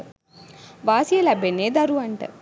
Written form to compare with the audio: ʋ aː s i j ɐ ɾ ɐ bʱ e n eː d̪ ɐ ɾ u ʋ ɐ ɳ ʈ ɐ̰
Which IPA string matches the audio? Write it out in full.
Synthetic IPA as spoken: ʋ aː s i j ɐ l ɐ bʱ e n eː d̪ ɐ ɾ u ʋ ɐ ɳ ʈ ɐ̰